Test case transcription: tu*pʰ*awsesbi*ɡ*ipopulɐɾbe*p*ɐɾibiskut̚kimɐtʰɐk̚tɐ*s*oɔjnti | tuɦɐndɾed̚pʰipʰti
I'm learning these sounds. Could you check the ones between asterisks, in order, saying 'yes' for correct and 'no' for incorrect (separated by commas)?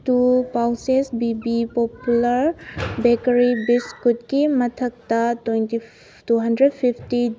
no, no, no, no